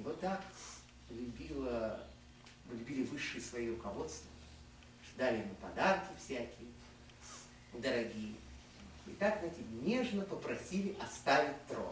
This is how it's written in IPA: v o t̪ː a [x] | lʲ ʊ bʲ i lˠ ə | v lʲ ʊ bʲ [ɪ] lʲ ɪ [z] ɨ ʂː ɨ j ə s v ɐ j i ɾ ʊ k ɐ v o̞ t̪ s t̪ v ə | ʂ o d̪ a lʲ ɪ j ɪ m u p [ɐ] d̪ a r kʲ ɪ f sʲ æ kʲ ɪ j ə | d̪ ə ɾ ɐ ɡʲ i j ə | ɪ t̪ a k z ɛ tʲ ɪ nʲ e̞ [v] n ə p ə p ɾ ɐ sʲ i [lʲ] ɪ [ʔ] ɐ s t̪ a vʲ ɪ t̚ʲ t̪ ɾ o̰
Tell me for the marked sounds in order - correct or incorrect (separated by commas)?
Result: incorrect, incorrect, incorrect, correct, incorrect, correct, correct